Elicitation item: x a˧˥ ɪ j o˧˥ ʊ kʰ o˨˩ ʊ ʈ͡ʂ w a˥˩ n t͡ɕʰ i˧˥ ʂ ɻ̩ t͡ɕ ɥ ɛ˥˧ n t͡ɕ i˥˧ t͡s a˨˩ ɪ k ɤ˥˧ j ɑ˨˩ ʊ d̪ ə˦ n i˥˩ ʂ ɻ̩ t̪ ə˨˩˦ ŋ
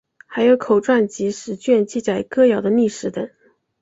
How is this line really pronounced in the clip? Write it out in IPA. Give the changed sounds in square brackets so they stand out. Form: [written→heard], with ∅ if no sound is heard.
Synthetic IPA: x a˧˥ ɪ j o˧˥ ʊ kʰ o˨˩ ʊ ʈ͡ʂ w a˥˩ n [t͡ɕʰ→t͡ɕ] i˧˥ ʂ ɻ̩ t͡ɕ ɥ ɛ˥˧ n t͡ɕ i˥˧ t͡s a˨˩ ɪ k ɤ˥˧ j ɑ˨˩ ʊ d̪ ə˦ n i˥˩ ʂ ɻ̩ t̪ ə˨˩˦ ŋ